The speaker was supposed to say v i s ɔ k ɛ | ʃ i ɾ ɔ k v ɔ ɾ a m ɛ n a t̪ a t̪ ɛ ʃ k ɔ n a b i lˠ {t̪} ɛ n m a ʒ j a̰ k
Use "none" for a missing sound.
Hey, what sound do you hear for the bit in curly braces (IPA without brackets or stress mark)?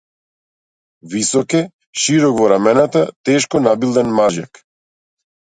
d̪